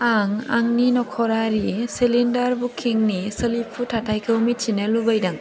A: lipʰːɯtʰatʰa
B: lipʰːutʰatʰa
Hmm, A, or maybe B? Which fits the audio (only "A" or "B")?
B